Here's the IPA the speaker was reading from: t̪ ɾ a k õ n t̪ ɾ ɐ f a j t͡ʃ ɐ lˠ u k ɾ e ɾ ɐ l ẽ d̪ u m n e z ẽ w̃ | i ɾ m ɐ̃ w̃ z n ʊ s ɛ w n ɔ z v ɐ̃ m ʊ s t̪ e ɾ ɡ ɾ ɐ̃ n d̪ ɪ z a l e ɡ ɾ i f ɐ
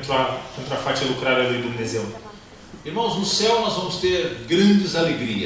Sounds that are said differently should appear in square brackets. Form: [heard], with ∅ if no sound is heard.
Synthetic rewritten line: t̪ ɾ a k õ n t̪ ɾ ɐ f a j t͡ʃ ɐ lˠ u k ɾ [a] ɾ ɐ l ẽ d̪ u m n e z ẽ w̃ | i ɾ m ɐ̃ w̃ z n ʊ s ɛ w n ɔ z v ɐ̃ m ʊ s t̪ e ɾ ɡ ɾ ɐ̃ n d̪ ɪ z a l e ɡ ɾ i [∅] ɐ

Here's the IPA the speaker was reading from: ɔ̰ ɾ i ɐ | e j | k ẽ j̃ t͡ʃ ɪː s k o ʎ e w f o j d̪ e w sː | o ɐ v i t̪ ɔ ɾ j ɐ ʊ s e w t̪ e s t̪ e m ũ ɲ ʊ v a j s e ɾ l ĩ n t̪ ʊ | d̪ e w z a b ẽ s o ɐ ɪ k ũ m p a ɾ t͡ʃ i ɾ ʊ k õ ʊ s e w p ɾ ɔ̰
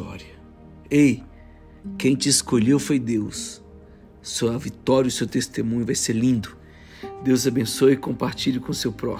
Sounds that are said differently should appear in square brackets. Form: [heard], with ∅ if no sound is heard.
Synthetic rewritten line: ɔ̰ ɾ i ɐ | e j | k ẽ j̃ t͡ʃ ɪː s k o ʎ e w f o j d̪ e w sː | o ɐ v i t̪ ɔ ɾ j ɐ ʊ s e w t̪ e s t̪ e m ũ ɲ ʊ v a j s e ɾ l ĩ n [d̪] ʊ | d̪ e w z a b ẽ s o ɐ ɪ k [õ] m p a ɾ t͡ʃ i [ʎ] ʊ k õ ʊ s e w p ɾ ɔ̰

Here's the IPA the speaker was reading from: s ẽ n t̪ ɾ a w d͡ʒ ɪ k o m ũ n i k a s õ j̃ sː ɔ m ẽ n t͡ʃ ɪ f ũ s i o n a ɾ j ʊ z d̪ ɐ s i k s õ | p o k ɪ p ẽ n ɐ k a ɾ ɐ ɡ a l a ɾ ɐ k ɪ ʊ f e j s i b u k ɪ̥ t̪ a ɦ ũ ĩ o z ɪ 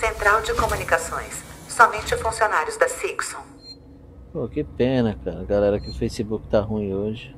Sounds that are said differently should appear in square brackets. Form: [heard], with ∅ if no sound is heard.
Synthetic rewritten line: s ẽ n t̪ ɾ a w d͡ʒ ɪ k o m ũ n i k a s õ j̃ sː ɔ m ẽ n t͡ʃ ɪ f ũ s i o n a ɾ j ʊ z d̪ ɐ s i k s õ | p o k ɪ p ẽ n ɐ k a ɾ ɐ ɡ a l [ɛ] ɾ ɐ k ɪ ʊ f e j s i b u k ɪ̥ t̪ a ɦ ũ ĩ o [ʒ] ɪ

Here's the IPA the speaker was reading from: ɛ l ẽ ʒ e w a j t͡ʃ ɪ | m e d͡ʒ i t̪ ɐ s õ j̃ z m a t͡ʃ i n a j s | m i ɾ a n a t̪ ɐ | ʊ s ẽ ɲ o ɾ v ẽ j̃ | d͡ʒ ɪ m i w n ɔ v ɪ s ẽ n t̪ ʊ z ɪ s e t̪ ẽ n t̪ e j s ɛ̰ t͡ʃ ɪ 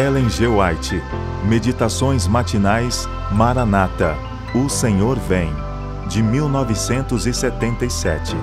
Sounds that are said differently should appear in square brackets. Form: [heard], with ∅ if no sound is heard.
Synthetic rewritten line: ɛ l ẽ ʒ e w a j t͡ʃ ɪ | m e d͡ʒ i t̪ [a] s õ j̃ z m a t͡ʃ i n a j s | m [a] ɾ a n a t̪ ɐ | ʊ s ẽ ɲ o ɾ v ẽ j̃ | d͡ʒ ɪ m i w n ɔ v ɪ s ẽ n t̪ ʊ z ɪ s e t̪ ẽ n t̪ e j s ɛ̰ t͡ʃ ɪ

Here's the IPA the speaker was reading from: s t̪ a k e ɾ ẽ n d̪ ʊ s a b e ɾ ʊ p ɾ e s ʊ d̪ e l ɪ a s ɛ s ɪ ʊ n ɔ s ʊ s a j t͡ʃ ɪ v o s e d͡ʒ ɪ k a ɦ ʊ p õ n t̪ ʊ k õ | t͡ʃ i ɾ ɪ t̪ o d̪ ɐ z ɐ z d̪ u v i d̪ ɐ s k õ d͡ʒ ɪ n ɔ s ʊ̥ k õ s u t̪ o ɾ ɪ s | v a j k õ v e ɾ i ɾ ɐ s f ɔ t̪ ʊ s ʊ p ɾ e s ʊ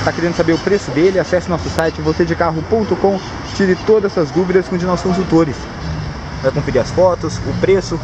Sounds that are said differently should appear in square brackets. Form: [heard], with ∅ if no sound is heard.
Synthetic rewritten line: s t̪ a k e ɾ ẽ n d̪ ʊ s a b e ɾ ʊ p ɾ e s ʊ d̪ e l ɪ a s ɛ s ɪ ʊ n ɔ s ʊ s a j t͡ʃ ɪ v o s e d͡ʒ ɪ k a ɦ ʊ p õ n t̪ ʊ k õ | t͡ʃ i ɾ ɪ t̪ o d̪ ɐ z ɐ z d̪ u v i d̪ ɐ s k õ d͡ʒ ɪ n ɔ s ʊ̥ k õ s u t̪ o ɾ ɪ s | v a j k õ [f] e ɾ i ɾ ɐ s f ɔ t̪ ʊ s ʊ p ɾ e s ʊ

